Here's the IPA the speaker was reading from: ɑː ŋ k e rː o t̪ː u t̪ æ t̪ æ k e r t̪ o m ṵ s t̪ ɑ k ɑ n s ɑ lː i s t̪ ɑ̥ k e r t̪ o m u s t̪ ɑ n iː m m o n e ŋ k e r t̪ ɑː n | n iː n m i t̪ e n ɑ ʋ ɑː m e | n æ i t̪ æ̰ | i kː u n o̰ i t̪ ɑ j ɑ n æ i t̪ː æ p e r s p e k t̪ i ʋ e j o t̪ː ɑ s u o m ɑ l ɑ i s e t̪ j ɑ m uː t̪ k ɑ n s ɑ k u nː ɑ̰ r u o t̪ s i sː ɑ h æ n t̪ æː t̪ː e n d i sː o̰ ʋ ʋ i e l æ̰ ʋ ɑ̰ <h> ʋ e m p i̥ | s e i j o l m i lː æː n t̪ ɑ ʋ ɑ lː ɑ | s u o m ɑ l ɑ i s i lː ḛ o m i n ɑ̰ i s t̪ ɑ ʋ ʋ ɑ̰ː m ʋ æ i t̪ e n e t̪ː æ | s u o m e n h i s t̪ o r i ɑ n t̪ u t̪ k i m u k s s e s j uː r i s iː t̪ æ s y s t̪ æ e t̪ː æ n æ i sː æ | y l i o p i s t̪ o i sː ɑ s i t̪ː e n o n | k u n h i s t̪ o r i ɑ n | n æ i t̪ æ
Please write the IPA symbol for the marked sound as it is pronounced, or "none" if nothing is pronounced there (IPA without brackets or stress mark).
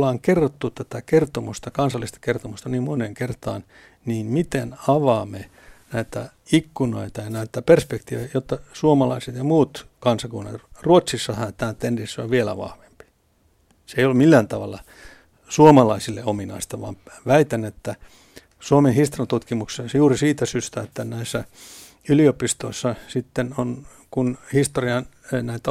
h